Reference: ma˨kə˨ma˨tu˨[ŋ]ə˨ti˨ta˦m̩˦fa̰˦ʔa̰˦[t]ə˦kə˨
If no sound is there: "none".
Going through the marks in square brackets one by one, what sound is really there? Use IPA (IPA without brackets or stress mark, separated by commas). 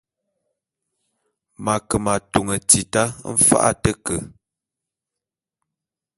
ŋ, t